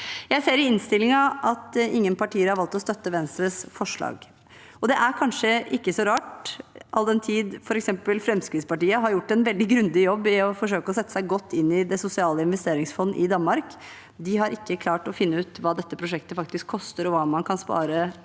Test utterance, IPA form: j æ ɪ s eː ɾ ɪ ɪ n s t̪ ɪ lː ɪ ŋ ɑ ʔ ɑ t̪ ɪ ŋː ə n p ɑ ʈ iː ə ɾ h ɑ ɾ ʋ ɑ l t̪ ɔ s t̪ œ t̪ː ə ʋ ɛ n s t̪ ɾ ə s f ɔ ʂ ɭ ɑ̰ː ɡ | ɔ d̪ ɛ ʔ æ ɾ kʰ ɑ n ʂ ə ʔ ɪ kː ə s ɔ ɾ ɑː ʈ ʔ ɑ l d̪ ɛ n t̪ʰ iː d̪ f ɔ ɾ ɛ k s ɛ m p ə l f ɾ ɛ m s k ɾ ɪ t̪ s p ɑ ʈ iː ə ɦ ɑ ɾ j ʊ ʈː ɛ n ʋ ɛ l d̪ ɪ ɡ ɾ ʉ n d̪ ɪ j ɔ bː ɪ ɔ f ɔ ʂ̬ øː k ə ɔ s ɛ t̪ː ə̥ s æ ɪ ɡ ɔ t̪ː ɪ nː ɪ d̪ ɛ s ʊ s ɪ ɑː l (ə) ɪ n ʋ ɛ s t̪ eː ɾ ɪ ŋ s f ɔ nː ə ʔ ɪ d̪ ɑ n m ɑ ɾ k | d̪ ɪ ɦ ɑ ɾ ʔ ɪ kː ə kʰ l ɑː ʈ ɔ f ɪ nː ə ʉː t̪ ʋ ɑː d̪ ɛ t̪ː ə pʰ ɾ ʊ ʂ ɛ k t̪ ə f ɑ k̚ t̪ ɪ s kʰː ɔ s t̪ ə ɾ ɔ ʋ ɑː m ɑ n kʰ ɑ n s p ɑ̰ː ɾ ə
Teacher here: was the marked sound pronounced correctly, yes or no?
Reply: yes